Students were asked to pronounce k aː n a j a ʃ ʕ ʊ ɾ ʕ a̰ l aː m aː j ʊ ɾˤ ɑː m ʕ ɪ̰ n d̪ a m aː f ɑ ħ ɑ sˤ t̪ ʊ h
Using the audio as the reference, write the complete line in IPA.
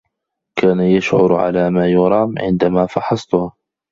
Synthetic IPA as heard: k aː n a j a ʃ ʕ ʊ ɾ ʕ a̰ l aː m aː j ʊ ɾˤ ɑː m ʕ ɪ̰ n d̪ a m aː f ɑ ħ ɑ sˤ t̪ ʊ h